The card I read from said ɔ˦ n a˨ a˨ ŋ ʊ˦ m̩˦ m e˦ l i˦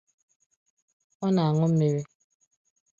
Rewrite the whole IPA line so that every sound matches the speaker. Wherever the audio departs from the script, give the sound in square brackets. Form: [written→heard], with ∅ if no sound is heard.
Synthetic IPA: ɔ˦ n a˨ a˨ ŋ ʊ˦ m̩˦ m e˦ [l→ɾ] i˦